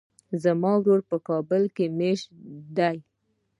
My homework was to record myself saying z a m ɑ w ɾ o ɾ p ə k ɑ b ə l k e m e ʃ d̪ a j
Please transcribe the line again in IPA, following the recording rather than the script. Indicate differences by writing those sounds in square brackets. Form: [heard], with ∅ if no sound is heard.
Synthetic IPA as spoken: z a m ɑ w ɾ o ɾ p ə k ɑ b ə l k e m e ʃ d̪ a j